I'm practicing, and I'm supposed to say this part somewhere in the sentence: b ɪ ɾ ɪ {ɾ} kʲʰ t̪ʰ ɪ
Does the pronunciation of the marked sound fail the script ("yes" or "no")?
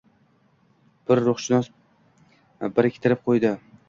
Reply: yes